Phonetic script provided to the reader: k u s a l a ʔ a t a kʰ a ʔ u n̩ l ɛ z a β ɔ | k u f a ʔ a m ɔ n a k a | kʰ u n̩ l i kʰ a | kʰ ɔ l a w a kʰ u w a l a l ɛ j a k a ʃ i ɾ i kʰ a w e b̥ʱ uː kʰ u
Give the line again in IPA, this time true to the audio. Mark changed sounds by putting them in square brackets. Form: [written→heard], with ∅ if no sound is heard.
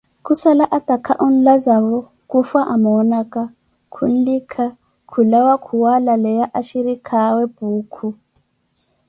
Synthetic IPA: k u s a l a ʔ a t a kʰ a ʔ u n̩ l [ɛ→a] z a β ɔ | k u f a ʔ a m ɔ n a k a | kʰ u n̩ l i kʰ a | kʰ [ɔ→u] l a w a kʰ u w a l a l ɛ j a [k→ʔ] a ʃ i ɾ i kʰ a w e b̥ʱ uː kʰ u